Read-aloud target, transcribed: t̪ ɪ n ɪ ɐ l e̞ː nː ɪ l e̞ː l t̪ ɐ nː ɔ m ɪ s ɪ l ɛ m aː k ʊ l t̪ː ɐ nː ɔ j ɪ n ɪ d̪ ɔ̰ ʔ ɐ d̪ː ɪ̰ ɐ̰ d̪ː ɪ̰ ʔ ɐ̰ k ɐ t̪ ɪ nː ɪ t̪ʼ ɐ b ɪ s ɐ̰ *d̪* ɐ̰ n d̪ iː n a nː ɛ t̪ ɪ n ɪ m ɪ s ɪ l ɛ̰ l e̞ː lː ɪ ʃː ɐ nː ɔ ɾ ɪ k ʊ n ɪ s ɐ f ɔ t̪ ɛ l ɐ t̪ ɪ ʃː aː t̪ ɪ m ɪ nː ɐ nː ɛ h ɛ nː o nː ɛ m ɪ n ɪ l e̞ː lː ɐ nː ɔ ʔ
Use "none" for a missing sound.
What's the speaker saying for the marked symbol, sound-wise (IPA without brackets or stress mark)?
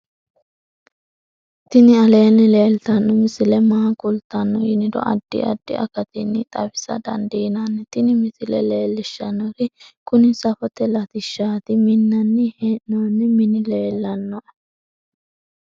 d̪